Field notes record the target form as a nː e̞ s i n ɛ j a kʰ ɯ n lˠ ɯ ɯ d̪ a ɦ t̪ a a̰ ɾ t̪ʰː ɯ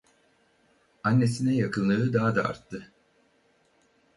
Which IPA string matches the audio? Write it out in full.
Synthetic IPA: a nː e̞ s i n ɛ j a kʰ ɯ n lˠ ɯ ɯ d̪ a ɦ d̪ a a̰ ɾ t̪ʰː ɯ